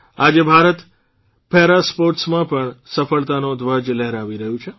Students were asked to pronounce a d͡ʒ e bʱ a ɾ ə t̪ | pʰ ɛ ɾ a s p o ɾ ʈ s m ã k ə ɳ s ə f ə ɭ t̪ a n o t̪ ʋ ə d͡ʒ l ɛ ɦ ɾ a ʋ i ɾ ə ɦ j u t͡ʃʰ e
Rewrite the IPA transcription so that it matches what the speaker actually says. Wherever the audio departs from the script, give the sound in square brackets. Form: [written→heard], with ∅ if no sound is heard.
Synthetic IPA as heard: a d͡ʒ e bʱ a ɾ ə t̪ | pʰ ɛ ɾ a s p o ɾ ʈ s m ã [k→p] ə ɳ s ə f ə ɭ t̪ a n o [t̪→d̪] ʋ ə d͡ʒ l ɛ ɦ ɾ a ʋ i ɾ ə ɦ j [u→ũ] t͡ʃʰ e